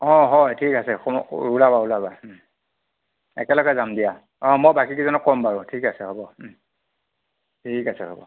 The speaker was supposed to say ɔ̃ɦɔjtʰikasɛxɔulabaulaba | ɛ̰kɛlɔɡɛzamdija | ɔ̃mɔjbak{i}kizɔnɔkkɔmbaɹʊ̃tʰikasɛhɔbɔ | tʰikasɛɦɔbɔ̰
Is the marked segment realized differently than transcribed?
no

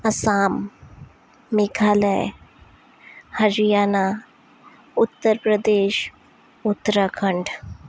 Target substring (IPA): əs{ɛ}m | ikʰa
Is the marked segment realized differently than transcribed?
yes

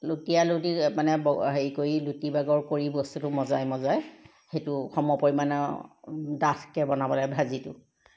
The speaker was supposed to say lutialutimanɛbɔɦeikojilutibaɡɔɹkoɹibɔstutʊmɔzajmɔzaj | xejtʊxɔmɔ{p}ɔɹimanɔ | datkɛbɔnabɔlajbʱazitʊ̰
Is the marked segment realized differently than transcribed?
no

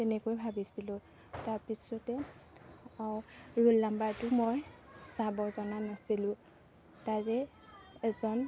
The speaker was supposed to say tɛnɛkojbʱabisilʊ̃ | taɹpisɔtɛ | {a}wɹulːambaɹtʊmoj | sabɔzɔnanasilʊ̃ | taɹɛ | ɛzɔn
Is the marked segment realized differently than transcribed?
no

